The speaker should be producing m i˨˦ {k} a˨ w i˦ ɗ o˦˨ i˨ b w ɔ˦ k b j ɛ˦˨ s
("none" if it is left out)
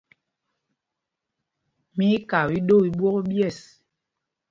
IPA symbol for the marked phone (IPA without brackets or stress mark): k